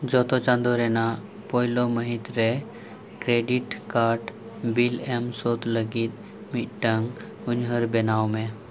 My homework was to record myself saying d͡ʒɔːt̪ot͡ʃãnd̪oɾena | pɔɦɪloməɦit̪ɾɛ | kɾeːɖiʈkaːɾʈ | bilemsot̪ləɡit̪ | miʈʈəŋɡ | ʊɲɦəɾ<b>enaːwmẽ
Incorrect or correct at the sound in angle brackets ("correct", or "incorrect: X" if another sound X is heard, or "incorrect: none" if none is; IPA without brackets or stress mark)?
correct